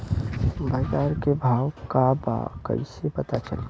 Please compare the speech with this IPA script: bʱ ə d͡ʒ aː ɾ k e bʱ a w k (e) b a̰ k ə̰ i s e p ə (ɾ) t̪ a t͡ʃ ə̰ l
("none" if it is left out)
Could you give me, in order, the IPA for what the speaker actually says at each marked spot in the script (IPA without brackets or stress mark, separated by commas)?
a, none